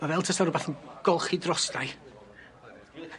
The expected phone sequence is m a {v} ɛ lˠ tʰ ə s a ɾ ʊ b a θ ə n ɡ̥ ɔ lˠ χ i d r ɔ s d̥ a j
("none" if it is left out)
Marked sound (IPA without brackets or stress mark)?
v